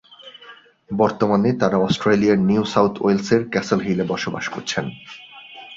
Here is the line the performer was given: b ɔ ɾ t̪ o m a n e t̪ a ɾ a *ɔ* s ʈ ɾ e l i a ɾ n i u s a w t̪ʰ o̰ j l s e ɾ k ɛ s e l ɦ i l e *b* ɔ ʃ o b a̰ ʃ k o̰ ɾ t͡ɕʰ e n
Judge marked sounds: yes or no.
yes, yes

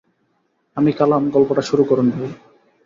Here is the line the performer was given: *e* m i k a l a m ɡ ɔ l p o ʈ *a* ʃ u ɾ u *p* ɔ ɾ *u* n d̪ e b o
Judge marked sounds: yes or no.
no, yes, no, yes

